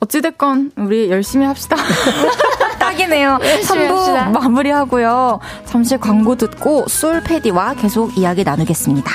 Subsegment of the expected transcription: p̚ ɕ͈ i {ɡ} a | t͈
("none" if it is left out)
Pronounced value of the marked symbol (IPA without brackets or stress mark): d